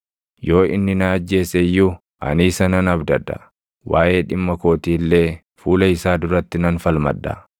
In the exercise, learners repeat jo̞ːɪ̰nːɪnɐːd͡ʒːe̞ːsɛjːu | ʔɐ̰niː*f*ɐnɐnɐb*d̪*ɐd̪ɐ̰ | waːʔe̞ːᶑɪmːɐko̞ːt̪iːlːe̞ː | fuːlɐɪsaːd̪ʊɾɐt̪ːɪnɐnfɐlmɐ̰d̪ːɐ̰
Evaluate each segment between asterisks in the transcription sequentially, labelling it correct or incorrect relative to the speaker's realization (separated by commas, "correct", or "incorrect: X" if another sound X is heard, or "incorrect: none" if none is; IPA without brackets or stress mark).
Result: incorrect: s, correct